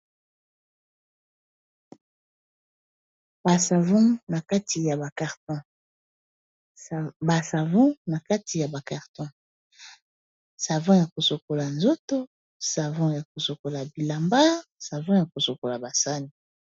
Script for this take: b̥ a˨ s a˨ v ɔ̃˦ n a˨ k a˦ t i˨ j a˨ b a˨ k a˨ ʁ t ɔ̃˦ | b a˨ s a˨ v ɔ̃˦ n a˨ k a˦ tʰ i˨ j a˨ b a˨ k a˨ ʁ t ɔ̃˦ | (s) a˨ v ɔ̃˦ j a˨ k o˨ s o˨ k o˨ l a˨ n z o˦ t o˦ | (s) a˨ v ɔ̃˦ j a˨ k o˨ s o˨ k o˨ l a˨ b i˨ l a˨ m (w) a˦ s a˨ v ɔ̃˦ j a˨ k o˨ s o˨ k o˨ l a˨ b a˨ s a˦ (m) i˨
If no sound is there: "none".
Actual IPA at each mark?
s, s, b, n

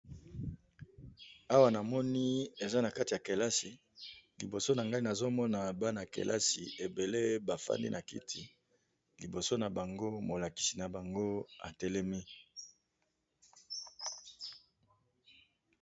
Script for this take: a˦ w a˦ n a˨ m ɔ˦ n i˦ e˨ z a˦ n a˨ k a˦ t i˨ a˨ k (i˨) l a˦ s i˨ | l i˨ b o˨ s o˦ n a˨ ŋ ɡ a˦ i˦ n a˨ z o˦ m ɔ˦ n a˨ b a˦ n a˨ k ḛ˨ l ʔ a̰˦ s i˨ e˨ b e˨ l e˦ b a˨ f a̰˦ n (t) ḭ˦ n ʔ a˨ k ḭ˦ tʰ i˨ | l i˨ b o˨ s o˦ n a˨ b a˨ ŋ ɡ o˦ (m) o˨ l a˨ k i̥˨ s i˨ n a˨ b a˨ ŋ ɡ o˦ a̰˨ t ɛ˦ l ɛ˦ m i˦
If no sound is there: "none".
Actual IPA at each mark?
e˨, d, m

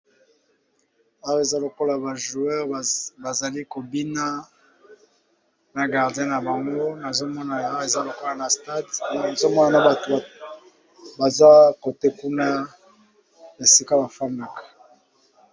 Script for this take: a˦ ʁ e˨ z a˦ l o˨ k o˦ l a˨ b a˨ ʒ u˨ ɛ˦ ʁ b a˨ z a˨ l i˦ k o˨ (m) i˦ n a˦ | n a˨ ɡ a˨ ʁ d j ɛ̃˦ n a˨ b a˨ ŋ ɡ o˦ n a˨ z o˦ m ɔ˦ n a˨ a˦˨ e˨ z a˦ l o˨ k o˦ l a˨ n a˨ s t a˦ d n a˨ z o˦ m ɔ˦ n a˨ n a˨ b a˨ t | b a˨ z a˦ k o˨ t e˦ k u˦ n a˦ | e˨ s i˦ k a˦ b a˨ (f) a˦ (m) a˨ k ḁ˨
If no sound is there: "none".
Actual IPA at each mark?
b, f, n

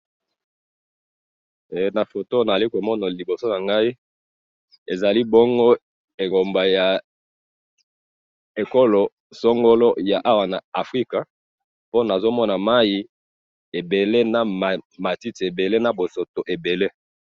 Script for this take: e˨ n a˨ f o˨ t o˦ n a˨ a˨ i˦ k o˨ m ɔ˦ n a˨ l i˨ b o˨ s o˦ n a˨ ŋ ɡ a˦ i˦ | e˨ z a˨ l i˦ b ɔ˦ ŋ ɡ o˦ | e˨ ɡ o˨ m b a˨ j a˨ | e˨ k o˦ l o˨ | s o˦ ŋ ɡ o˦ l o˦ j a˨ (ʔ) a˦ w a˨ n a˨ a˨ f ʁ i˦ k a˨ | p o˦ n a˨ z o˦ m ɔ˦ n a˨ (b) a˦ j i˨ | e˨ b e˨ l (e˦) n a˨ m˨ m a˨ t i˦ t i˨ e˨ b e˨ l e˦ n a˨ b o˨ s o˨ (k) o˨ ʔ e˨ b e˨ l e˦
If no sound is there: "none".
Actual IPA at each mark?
ʔ, m, e˦, t

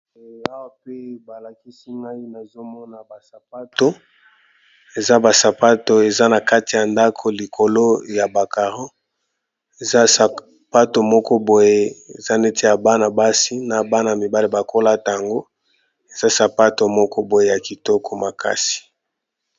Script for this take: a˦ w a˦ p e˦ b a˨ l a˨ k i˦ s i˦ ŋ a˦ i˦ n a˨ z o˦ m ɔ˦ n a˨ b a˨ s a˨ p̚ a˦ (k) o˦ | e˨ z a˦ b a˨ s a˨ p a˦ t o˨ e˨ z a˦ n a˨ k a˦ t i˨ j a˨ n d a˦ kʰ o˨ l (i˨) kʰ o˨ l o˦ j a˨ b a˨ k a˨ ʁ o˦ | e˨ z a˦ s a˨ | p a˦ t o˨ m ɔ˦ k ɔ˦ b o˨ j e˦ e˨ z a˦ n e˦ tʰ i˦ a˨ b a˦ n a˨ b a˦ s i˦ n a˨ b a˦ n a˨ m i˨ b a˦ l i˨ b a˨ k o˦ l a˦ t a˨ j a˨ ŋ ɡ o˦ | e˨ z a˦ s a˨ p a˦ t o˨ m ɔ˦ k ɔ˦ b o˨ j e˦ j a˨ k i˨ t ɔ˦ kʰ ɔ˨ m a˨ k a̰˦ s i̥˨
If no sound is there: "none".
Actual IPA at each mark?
t, i˨

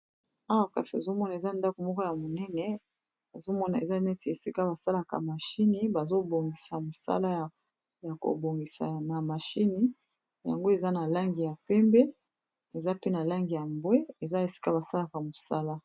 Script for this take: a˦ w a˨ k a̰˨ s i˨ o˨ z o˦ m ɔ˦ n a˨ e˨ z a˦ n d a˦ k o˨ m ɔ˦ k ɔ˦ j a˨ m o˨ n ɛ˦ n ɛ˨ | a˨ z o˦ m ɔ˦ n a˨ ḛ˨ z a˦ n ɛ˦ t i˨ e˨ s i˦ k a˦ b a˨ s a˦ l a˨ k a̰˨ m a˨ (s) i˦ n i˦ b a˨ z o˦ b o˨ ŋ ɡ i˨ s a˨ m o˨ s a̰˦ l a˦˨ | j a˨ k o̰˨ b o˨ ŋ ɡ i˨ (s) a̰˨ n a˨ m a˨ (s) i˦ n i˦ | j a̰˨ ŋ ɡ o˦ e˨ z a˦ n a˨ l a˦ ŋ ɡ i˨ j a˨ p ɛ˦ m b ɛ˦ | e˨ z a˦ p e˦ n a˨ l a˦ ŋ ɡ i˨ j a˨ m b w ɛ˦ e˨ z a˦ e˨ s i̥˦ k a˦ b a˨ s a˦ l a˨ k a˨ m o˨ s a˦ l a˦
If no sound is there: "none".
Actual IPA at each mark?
ʃ, s, ʃ

